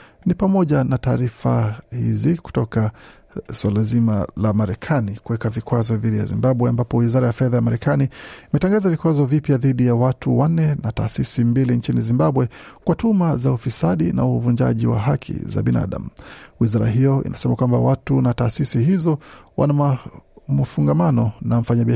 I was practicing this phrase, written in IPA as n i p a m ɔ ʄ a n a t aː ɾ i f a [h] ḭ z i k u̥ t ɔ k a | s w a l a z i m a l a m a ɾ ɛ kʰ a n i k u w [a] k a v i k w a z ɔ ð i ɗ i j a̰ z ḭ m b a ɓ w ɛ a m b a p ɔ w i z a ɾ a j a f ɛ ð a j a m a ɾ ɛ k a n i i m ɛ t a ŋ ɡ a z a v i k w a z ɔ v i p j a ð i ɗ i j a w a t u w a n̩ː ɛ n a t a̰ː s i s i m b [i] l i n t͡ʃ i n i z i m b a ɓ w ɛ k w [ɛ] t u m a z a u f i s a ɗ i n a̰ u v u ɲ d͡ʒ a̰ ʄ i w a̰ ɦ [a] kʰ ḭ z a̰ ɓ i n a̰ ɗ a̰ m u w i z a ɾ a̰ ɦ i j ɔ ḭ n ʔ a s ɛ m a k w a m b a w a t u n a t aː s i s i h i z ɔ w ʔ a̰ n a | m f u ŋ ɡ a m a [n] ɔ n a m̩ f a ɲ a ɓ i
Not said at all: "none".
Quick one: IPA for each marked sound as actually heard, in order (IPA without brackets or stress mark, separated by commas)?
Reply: h, ɛ, i, a, a, n